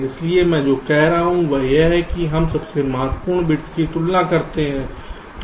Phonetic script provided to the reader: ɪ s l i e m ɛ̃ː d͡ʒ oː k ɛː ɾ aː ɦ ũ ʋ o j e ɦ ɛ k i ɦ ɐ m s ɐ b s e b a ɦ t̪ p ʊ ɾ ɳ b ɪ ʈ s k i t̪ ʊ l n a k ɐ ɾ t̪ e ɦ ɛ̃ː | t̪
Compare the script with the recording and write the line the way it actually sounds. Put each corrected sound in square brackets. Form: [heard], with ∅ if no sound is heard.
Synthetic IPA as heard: ɪ s l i e m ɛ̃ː d͡ʒ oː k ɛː ɾ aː ɦ ũ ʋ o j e ɦ ɛ k i ɦ ɐ m s ɐ b s e [m] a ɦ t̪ p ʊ ɾ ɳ b ɪ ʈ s k i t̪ ʊ l n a k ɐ ɾ t̪ e ɦ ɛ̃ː | t̪